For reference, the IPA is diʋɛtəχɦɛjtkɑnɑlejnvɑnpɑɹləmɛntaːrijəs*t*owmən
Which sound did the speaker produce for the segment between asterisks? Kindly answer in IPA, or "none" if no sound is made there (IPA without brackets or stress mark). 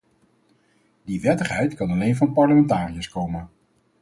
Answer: k